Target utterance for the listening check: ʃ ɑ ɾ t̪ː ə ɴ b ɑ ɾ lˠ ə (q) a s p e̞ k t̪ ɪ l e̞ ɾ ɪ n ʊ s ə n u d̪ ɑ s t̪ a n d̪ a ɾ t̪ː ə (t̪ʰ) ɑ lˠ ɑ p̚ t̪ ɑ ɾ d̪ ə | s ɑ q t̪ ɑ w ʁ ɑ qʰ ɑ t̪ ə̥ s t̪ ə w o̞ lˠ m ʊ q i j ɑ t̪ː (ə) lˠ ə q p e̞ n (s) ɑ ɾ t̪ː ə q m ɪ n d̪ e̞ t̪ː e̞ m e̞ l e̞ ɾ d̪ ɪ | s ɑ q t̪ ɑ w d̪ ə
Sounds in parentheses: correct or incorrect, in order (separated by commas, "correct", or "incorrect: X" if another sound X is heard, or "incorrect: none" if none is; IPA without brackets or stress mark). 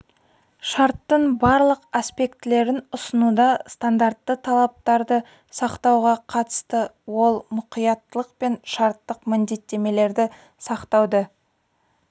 correct, correct, correct, incorrect: ʃ